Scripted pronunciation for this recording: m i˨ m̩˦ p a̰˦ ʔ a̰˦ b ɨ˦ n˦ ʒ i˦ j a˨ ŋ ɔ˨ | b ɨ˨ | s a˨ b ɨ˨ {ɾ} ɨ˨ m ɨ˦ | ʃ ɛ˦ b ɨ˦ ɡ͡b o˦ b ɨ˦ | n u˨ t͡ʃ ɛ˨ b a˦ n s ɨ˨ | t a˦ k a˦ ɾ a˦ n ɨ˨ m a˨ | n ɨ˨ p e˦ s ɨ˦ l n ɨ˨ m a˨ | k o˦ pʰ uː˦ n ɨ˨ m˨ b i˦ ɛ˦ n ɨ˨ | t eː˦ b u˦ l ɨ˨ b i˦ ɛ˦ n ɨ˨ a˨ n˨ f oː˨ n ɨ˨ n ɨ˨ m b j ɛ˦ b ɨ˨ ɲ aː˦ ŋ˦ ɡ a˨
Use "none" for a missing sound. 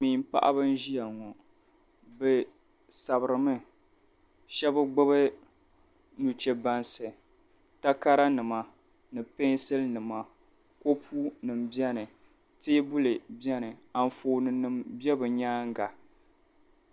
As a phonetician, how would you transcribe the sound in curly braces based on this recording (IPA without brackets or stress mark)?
ɾ